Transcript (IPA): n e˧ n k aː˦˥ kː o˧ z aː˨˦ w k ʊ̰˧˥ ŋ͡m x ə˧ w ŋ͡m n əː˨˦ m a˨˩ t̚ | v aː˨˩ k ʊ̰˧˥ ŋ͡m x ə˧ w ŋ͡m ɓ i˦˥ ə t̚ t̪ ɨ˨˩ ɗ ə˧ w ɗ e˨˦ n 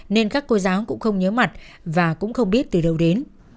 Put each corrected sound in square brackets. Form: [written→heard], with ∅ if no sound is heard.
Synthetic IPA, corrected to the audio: n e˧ n k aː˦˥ kː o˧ z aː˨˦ w k ʊ̰˧˥ ŋ͡m x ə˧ w ŋ͡m [n→ɲ] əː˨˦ m a˨˩ t̚ | v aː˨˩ k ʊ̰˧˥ ŋ͡m x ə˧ w ŋ͡m ɓ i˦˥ ə t̚ t̪ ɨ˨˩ ɗ [ə˧→ə˨˩] w ɗ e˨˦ n